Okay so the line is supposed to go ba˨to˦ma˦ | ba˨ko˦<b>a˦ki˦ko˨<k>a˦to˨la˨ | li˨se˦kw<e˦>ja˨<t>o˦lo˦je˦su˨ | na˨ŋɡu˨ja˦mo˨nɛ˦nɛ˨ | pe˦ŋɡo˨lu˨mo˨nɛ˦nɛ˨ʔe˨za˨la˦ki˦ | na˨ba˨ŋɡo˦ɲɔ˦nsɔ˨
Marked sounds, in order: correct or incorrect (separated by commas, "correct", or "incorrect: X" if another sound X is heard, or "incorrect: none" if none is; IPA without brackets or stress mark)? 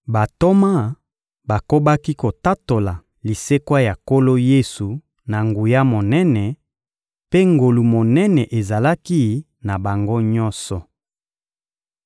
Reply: correct, incorrect: t, incorrect: a˦, incorrect: k